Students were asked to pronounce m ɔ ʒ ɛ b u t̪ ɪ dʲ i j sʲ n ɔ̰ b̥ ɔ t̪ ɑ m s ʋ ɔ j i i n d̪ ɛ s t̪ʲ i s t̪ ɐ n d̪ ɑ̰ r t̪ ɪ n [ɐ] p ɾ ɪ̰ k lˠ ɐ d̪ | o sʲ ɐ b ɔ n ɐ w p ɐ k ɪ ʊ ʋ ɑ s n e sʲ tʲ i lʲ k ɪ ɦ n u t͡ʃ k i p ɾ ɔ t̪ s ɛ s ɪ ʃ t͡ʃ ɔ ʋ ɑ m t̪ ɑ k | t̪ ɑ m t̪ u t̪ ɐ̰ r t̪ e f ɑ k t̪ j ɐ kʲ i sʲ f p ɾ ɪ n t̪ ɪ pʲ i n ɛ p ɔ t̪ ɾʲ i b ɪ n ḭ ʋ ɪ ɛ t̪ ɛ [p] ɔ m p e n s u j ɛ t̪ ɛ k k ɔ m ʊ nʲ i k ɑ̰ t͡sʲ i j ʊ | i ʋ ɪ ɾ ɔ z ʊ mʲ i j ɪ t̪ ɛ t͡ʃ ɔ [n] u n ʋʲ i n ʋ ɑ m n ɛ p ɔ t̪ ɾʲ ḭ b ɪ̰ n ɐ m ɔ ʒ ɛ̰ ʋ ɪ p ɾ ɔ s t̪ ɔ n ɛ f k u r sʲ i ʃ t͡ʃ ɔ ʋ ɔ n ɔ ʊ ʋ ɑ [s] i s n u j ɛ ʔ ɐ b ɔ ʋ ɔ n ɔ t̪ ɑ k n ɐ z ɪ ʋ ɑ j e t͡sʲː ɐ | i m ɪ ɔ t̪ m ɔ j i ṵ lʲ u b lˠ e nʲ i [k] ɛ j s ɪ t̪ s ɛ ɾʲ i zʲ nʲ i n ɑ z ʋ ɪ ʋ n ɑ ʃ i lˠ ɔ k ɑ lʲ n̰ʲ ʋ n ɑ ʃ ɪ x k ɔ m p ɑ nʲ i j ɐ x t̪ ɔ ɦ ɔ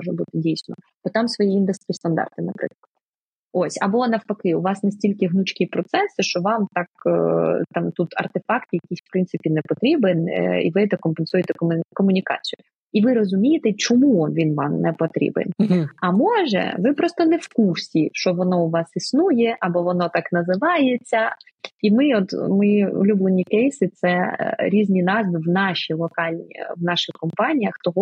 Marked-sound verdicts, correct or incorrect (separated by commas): correct, incorrect, incorrect, correct, correct